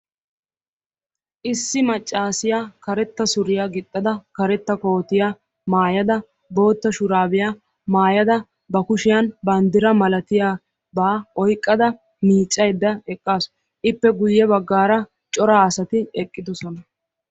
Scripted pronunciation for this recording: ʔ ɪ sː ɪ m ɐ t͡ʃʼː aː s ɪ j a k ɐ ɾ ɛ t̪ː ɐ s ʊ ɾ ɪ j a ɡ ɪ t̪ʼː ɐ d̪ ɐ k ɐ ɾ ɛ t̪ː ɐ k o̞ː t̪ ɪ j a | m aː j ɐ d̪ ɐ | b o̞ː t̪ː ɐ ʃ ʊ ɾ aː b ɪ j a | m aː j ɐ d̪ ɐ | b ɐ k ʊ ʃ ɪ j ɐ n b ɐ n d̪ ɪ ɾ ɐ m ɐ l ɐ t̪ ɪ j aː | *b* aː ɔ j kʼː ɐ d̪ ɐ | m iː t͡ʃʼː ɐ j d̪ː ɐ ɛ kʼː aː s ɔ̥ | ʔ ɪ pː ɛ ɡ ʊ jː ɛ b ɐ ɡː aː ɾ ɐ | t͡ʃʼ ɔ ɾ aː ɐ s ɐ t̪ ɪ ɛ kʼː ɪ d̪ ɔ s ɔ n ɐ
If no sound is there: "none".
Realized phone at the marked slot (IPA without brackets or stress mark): b